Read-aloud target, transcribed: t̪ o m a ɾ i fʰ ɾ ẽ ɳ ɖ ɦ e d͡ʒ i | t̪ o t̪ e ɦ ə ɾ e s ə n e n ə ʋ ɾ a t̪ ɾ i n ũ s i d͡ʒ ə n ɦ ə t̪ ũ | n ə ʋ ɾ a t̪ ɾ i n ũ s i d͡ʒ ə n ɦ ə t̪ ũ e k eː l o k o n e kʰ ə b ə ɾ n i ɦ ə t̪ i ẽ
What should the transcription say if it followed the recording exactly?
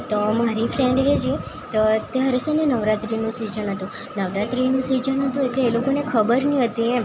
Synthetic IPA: t̪ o m a ɾ i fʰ ɾ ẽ ɳ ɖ ɦ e d͡ʒ i | t̪ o t̪ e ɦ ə ɾ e s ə n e n ə ʋ ɾ a t̪ ɾ i n ũ s i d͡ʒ ə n ɦ ə t̪ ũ | n ə ʋ ɾ a t̪ ɾ i n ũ s i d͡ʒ ə n ɦ ə t̪ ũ e k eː l o k o n e kʰ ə b ə ɾ n i ɦ ə t̪ i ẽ